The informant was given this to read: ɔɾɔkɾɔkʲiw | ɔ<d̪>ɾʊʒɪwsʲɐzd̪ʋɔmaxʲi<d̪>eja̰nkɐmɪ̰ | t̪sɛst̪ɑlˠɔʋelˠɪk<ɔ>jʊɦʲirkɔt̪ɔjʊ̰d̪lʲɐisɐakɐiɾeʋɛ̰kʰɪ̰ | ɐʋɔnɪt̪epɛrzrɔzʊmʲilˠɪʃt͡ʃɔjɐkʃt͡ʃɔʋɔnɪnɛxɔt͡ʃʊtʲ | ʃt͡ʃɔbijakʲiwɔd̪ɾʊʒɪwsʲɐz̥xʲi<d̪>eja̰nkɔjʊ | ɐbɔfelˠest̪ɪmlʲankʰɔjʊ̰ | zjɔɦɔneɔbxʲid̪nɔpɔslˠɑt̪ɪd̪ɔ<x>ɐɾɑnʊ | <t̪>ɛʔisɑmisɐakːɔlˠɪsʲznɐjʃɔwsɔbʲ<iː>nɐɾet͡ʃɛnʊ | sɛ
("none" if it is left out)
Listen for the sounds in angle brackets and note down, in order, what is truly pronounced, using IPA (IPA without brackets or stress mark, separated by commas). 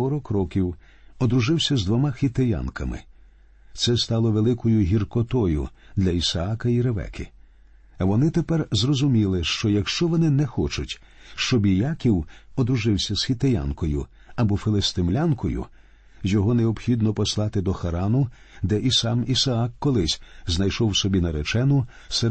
d̪, t̪, ɔ, t̪, x, d̪, i